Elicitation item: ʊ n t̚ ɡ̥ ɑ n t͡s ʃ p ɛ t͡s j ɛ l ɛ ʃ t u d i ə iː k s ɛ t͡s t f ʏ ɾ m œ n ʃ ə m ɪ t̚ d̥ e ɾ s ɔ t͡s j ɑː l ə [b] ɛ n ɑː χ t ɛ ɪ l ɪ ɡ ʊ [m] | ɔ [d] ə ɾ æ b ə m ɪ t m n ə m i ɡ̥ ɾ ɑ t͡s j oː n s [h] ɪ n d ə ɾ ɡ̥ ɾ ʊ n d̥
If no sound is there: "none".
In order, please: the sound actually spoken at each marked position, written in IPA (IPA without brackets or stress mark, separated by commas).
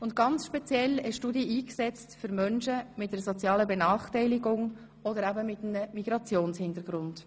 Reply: b, ŋ, d, h